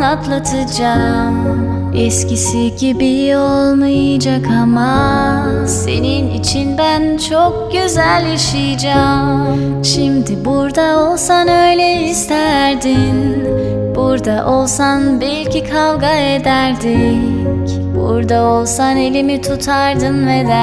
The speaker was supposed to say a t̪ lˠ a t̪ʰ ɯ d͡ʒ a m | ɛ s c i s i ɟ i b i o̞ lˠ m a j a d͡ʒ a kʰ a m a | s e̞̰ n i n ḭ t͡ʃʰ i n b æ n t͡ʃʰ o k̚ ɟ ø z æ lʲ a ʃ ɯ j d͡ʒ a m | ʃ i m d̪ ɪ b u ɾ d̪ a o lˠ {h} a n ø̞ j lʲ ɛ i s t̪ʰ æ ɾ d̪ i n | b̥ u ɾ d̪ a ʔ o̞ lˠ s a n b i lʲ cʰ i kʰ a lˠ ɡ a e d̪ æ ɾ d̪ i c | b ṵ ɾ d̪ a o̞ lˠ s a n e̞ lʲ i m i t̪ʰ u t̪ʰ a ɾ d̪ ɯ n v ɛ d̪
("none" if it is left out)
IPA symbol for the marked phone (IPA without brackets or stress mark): s